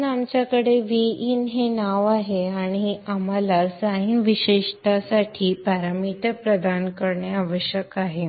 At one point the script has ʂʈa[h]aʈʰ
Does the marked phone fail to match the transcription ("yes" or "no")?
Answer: yes